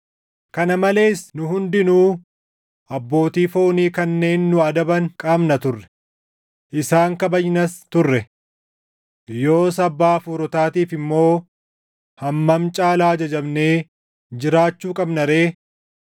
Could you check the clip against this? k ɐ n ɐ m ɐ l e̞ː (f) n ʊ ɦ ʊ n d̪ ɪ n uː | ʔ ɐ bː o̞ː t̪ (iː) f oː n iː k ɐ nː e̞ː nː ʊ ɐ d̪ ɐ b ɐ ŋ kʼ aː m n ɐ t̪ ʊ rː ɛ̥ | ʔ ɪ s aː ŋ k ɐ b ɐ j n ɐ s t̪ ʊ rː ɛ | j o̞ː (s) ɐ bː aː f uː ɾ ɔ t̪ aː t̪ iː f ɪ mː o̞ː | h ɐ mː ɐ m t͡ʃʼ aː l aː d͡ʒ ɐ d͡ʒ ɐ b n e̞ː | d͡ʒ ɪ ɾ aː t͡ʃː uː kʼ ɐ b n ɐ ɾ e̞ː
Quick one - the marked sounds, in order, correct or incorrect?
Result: incorrect, correct, correct

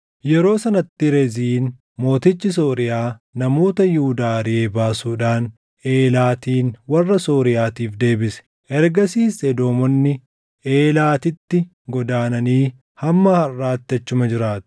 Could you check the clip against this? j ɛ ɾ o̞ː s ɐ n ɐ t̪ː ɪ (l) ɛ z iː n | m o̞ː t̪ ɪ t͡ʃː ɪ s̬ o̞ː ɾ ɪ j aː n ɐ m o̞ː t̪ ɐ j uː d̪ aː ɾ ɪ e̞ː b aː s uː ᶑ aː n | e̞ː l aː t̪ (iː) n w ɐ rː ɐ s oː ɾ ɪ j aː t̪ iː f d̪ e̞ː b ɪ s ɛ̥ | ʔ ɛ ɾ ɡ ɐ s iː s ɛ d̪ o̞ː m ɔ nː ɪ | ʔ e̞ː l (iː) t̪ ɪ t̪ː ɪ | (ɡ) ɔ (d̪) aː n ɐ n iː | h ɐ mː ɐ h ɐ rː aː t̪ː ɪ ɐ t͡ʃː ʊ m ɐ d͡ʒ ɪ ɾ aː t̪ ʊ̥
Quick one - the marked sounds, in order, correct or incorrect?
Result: incorrect, correct, incorrect, correct, correct

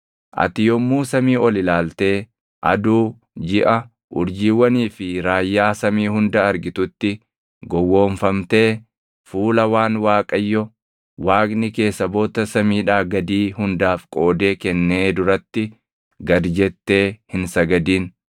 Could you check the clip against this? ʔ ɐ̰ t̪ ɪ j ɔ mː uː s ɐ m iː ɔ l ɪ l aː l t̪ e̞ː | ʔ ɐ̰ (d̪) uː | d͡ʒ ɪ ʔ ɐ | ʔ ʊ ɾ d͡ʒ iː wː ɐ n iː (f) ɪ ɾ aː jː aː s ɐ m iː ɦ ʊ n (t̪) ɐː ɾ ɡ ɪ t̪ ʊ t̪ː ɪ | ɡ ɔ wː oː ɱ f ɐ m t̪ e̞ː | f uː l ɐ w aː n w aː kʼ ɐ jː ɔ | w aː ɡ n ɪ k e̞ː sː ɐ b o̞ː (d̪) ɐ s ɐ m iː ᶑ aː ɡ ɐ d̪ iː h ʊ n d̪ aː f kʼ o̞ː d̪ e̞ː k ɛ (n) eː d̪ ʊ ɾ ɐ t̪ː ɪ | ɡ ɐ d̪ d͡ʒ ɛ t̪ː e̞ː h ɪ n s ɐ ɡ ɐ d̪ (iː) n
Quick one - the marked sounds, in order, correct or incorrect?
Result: correct, correct, incorrect, incorrect, incorrect, correct

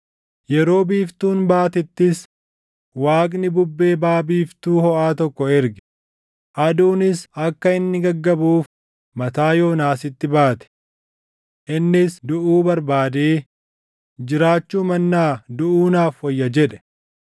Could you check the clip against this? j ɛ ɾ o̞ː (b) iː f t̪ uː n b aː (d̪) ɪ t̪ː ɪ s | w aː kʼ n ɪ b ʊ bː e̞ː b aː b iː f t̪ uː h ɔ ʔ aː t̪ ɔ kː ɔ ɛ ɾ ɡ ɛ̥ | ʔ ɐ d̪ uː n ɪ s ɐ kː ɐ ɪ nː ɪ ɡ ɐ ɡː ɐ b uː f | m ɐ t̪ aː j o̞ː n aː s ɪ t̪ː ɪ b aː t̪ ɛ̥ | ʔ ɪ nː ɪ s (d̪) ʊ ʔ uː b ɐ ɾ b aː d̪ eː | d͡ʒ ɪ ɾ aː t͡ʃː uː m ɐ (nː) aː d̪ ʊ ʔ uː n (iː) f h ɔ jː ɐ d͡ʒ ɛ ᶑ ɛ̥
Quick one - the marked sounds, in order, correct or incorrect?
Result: correct, incorrect, correct, correct, incorrect

